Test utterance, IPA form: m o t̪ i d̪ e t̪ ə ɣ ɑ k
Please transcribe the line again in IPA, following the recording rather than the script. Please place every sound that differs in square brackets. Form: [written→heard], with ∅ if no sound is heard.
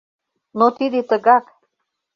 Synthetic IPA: [m→n] o t̪ i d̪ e t̪ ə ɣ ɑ k